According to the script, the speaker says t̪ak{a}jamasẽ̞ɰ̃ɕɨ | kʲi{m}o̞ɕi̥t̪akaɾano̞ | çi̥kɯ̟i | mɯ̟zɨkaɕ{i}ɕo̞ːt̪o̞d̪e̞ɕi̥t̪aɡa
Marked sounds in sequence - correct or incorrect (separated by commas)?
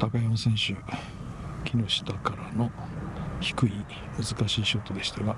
correct, incorrect, incorrect